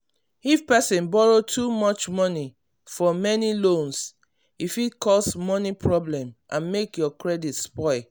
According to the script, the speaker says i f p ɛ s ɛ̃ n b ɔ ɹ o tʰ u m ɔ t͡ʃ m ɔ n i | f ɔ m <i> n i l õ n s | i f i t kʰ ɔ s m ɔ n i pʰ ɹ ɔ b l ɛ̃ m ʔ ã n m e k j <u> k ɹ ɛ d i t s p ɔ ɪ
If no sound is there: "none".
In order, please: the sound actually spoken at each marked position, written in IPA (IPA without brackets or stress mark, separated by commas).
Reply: ɛ, ɔ